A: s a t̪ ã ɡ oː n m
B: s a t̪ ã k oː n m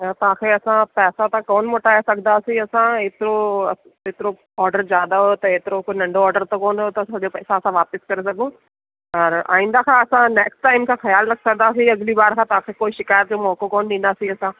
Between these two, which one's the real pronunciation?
B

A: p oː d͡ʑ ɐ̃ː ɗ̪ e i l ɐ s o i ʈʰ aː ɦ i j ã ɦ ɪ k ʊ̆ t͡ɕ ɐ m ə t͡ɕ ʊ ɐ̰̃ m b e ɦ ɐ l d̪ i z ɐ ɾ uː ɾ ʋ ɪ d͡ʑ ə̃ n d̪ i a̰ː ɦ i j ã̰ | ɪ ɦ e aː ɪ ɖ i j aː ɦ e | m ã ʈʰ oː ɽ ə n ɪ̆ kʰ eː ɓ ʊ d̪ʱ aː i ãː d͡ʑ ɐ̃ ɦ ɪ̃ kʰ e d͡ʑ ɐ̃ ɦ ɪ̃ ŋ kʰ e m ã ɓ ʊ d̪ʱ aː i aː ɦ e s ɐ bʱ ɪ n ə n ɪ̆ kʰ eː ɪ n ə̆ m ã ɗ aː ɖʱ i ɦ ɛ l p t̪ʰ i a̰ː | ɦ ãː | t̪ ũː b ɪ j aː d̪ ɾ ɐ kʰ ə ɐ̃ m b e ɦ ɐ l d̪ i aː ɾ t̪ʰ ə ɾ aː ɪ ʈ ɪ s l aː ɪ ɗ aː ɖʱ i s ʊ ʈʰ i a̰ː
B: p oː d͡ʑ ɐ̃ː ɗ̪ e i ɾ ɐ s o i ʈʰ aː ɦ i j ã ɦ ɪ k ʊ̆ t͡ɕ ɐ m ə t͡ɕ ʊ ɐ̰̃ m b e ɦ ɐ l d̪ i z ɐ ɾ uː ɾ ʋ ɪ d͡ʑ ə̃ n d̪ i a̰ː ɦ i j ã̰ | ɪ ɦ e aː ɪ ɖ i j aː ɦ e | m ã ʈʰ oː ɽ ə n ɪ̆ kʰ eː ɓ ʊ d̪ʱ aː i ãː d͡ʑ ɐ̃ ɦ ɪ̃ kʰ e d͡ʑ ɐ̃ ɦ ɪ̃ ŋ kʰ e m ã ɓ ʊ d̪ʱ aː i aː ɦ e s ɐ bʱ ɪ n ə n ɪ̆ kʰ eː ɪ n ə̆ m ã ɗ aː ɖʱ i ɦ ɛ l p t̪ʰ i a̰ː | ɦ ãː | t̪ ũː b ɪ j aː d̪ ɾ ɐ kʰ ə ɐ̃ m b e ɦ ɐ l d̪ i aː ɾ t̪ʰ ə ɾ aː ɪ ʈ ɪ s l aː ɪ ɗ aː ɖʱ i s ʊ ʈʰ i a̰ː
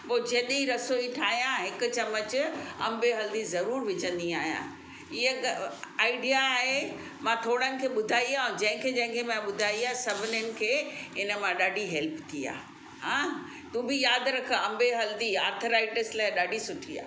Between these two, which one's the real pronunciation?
B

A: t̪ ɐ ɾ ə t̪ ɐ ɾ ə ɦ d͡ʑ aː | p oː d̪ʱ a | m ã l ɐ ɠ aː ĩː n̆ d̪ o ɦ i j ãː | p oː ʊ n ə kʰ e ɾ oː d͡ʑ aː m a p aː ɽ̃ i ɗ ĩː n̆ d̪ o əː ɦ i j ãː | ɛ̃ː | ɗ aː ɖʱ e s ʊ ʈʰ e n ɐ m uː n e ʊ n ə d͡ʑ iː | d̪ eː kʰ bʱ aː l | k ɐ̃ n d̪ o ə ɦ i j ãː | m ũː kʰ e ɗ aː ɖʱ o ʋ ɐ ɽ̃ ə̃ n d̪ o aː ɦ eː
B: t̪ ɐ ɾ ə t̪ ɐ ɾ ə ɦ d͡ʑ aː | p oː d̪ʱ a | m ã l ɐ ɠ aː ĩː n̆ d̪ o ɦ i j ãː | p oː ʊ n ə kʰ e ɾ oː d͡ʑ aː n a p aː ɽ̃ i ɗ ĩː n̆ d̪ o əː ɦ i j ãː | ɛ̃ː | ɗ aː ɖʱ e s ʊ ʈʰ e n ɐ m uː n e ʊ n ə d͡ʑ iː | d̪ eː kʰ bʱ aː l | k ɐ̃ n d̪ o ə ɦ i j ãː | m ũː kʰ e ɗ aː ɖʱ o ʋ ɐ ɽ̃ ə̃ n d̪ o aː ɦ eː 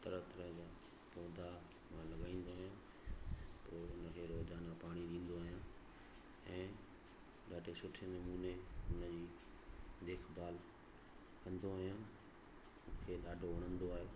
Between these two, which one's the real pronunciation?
B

